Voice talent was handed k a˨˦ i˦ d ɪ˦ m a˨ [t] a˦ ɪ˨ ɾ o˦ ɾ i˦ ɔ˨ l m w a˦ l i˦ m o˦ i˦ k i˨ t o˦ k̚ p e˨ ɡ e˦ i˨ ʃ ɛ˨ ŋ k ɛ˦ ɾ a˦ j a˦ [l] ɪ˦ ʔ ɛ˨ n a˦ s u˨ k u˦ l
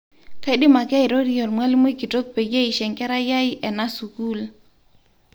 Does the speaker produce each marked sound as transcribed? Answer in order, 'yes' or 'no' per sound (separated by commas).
no, no